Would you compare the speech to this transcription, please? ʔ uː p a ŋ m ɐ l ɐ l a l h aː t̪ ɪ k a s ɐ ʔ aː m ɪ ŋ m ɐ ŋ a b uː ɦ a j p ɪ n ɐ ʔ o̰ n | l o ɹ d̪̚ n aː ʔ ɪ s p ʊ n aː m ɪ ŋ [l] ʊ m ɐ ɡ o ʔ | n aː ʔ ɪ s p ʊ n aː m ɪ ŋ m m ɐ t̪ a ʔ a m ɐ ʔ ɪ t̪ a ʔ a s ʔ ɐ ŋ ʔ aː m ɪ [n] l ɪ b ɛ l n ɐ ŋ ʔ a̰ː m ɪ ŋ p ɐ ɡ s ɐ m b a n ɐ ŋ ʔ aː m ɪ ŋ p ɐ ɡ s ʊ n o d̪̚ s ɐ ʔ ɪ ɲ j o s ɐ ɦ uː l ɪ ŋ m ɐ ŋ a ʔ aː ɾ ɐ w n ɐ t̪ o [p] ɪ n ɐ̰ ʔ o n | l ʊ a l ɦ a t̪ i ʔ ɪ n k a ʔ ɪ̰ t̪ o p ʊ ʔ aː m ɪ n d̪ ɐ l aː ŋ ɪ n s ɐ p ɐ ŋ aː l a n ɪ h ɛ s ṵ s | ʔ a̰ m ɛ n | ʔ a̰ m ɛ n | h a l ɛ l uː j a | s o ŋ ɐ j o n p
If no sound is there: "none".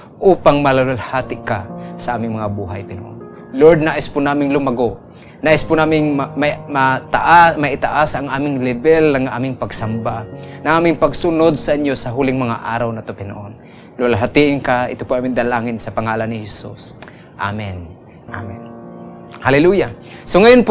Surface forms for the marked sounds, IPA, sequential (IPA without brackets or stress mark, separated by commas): l, ŋ, p